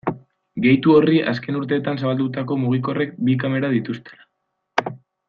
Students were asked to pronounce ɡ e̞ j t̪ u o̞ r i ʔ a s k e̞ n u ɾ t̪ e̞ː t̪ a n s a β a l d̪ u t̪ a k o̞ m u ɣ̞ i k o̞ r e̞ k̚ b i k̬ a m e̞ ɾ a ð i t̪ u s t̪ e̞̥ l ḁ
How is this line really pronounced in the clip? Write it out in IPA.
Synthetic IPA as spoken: ɡ e̞ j t̪ u o̞ r i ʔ a s k e̞ n u ɾ t̪ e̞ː t̪ a n s a β a l d̪ u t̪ a k o̞ m u ɣ̞ i k o̞ r e̞ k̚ b i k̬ a m e̞ ɾ a ð i t̪ u s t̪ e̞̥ l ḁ